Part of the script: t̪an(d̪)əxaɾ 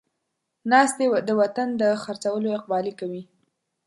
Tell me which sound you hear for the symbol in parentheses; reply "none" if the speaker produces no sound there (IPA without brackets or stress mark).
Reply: d̪